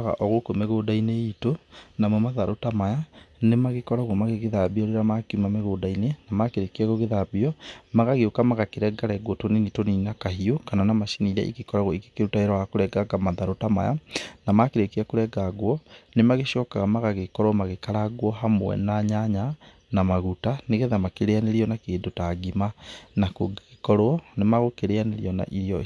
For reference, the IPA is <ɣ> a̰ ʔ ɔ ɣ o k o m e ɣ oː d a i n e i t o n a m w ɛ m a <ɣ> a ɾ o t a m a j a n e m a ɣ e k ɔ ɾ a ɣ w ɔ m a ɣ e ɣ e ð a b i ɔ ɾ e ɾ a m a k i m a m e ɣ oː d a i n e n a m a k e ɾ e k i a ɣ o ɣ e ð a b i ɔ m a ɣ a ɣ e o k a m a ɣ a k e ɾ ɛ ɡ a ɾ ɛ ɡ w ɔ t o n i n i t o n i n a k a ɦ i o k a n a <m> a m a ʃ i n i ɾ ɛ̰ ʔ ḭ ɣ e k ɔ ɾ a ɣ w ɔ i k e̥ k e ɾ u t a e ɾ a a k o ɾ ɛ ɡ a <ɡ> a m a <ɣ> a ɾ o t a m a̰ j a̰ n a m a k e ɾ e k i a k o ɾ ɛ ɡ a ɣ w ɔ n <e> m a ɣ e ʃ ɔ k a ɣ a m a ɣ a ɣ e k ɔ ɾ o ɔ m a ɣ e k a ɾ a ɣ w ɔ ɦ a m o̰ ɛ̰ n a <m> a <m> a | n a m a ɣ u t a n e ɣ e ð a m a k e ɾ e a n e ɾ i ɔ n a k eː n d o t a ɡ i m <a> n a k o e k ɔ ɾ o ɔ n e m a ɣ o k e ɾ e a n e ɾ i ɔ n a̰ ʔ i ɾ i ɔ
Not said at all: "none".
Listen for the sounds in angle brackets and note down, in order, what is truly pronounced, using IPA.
ɣ, ð, n, ɡ, ð, e, ɲ, ɲ, a

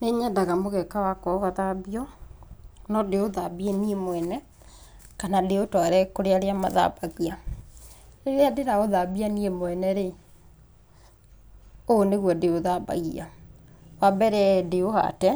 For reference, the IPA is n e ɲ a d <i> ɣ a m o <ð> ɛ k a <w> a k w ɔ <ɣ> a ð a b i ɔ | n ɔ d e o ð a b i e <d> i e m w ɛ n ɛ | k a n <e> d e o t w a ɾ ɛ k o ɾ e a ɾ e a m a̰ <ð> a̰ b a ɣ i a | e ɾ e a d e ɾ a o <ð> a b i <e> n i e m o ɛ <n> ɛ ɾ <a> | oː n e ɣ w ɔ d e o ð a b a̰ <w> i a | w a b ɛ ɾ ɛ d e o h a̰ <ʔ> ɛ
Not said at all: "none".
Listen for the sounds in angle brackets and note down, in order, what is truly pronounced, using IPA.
a, ɣ, w, ɣ, n, a, ð, ð, a, n, e, ɣ, t

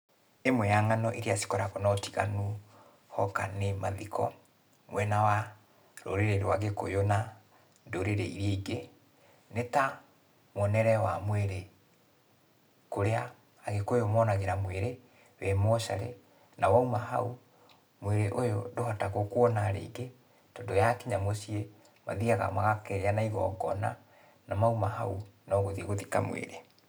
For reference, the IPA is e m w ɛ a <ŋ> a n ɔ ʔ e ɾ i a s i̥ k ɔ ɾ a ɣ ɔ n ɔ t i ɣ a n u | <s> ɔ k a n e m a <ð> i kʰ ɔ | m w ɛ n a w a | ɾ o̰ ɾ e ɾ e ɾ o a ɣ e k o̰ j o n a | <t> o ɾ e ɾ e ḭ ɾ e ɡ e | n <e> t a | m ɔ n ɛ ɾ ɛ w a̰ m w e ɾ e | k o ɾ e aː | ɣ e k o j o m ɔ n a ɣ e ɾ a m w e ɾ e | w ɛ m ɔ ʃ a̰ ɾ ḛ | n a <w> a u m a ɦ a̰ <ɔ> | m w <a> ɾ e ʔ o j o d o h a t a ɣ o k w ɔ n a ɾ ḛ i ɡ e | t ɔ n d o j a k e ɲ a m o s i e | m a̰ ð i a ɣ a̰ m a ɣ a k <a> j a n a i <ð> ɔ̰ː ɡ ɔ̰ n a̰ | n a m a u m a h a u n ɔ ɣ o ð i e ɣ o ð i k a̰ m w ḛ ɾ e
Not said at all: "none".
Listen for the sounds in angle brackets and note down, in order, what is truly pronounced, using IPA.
ŋ, h, ð, d, e, w, u, e, ɛ, ɣ

